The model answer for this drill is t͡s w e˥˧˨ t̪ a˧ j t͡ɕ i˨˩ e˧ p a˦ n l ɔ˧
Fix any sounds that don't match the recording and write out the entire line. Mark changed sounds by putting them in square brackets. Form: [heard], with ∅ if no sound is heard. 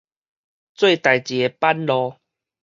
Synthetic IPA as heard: t͡s w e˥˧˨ t̪ [a˨˩] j t͡ɕ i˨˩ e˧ p a˦ n l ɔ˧